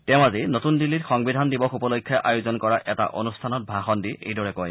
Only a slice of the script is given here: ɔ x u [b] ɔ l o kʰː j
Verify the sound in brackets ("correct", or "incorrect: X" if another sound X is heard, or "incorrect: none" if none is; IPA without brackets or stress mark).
incorrect: p